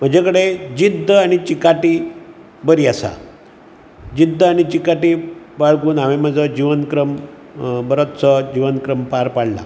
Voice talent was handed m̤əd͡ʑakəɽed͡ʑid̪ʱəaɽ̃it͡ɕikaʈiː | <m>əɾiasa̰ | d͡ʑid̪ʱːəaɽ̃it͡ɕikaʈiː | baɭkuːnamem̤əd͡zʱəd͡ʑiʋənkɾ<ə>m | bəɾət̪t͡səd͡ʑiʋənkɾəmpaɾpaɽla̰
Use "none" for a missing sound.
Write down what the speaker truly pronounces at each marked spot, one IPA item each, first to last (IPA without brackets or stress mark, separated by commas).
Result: b, ə